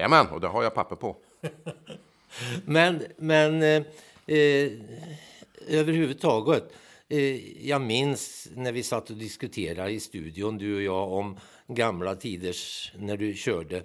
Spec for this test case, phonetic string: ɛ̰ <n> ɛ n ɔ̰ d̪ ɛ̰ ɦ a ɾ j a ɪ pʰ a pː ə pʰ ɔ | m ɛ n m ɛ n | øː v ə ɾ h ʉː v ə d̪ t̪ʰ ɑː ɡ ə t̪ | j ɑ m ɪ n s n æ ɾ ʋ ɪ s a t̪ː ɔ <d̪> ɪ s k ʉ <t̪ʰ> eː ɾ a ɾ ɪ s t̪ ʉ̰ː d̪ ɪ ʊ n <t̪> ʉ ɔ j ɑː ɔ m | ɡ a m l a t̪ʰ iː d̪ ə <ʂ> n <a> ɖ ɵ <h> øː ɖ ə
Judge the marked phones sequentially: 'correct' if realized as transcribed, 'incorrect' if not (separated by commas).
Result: incorrect, correct, correct, incorrect, correct, incorrect, incorrect